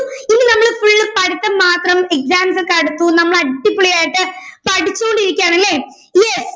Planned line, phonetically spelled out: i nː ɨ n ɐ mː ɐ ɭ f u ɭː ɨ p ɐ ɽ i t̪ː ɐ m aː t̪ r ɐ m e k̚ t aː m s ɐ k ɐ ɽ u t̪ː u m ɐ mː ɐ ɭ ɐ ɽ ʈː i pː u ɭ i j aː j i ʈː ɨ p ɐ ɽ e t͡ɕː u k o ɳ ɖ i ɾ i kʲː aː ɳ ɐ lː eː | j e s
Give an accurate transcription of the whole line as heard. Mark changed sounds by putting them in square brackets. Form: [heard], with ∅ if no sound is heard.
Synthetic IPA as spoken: i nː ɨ n ɐ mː ɐ ɭ f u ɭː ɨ p ɐ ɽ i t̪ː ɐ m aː t̪ r ɐ m e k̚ [s] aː m s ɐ k ɐ ɽ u t̪ː u [n] ɐ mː ɐ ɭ ɐ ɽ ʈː i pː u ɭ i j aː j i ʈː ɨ p ɐ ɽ [i] t͡ɕː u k o ɳ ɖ i ɾ i kʲː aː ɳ ɐ lː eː | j e s

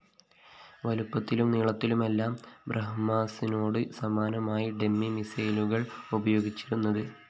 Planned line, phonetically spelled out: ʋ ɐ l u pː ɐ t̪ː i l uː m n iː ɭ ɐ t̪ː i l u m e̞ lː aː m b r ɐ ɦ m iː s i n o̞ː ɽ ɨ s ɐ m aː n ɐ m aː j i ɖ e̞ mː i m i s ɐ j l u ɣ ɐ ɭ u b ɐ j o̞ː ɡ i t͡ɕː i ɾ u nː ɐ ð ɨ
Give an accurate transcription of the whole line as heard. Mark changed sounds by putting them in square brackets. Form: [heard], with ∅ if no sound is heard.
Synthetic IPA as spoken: ʋ ɐ l u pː ɐ t̪ː i l [u] m n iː ɭ ɐ t̪ː i l u m e̞ lː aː m b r ɐ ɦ m [aː] s i n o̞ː ɽ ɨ s ɐ m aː n ɐ m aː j i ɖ e̞ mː i m i s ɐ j l u ɣ ɐ ɭ u b ɐ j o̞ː ɡ i t͡ɕː i ɾ u nː ɐ ð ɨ

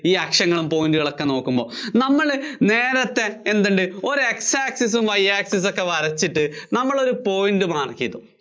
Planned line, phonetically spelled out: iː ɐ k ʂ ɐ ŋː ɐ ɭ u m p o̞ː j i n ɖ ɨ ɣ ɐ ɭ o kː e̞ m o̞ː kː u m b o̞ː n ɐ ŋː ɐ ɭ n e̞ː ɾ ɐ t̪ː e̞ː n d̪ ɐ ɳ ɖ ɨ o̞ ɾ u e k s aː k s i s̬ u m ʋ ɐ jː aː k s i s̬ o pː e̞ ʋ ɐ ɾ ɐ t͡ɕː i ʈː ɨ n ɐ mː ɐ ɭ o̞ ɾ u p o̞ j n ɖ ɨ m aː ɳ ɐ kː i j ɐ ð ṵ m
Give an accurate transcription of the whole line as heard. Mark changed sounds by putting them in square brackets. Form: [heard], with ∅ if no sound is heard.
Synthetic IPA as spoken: iː ɐ k ʂ ɐ ŋː ɐ ɭ u m p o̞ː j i n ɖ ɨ ɣ ɐ ɭ o kː e̞ [n] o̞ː kː u m b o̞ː n ɐ [mː] ɐ ɭ n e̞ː ɾ ɐ t̪ː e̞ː n d̪ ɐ ɳ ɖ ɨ o̞ ɾ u e k s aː k s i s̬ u m ʋ ɐ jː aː k s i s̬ o [kː] e̞ ʋ ɐ ɾ ɐ t͡ɕː i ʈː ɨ n ɐ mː ɐ ɭ o̞ ɾ u p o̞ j n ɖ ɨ m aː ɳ ɐ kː i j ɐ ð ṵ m

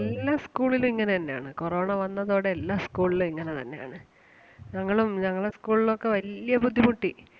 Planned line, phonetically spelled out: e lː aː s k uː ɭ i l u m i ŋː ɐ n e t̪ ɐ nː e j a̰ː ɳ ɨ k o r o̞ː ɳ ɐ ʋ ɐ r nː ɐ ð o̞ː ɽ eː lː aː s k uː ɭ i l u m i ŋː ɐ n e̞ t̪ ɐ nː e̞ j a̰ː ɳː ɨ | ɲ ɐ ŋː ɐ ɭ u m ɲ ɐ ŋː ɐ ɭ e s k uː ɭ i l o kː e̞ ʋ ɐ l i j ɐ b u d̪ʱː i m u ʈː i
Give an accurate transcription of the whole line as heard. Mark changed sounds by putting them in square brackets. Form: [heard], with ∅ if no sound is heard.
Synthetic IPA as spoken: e lː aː s k uː ɭ i l u m i ŋː ɐ n e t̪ ɐ nː e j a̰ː ɳ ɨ k o r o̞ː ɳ ɐ ʋ ɐ [∅] nː ɐ ð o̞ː ɽ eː lː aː s k uː ɭ i l u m i ŋː ɐ n e̞ t̪ ɐ nː e̞ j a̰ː [ɳ] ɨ | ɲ ɐ ŋː ɐ ɭ u m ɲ ɐ ŋː ɐ ɭ e s k uː ɭ i l o kː e̞ ʋ ɐ l i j ɐ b u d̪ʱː i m u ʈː i

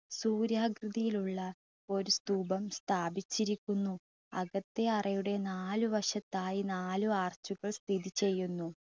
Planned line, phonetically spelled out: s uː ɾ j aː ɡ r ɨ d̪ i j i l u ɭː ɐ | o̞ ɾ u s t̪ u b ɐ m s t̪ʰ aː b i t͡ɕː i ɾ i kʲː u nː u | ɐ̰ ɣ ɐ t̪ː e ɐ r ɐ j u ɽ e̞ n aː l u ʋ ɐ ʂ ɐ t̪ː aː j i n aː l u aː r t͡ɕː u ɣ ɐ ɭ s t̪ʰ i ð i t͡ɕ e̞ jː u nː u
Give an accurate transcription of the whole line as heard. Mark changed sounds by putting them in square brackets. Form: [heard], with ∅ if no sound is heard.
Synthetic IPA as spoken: s uː ɾ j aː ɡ r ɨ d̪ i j i l u ɭː ɐ | o̞ ɾ u s t̪ [uː] b ɐ m s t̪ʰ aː b i t͡ɕː i ɾ i kʲː u nː u | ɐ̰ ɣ ɐ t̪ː e ɐ r ɐ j u ɽ e̞ n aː l u ʋ ɐ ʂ ɐ t̪ː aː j i n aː l u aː r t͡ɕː u ɣ ɐ ɭ s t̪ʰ i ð i t͡ɕ e̞ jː u nː u

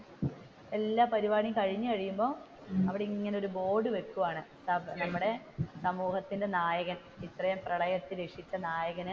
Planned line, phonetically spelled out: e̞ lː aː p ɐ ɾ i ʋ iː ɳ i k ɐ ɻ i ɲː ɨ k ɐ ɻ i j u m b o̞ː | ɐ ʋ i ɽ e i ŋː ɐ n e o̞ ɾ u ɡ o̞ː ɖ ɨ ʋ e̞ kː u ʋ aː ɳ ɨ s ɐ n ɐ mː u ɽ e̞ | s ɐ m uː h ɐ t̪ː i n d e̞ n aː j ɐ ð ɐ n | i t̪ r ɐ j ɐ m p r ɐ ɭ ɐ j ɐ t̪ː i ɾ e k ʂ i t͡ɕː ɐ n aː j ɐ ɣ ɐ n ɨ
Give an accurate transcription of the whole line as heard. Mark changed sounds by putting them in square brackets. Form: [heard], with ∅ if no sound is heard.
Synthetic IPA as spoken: e̞ lː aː p ɐ ɾ i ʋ [aː] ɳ i k ɐ ɻ i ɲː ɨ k ɐ ɻ i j u m b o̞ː | ɐ ʋ i ɽ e i ŋː ɐ n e o̞ ɾ u [b] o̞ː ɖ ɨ ʋ e̞ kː u ʋ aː ɳ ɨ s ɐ n ɐ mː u ɽ e̞ | s ɐ m uː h ɐ t̪ː i n d e̞ n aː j ɐ [ɣ] ɐ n | i t̪ r ɐ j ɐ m p r ɐ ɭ ɐ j ɐ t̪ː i ɾ e k ʂ i t͡ɕː ɐ n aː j ɐ ɣ ɐ n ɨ

